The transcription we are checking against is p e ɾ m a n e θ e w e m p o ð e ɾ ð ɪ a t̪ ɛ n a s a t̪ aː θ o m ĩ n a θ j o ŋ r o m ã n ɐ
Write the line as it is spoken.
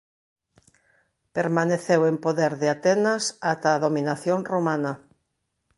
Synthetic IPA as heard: p e ɾ m a n e θ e w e m p o ð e ɾ ð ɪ a t̪ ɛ n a s a t̪ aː ð o m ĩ n a θ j o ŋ r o m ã n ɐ